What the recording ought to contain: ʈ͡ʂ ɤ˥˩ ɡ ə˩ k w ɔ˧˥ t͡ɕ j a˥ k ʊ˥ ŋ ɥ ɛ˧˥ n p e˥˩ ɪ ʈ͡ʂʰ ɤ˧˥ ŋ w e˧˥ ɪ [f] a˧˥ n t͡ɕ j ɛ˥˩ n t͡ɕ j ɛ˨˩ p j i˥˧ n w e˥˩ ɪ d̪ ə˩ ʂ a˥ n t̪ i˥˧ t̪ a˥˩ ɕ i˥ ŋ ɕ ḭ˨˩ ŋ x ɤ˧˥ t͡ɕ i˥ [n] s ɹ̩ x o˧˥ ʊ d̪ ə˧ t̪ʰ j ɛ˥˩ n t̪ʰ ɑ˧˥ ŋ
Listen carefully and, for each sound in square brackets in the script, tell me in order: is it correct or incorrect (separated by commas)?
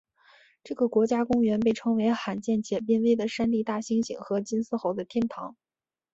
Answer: incorrect, correct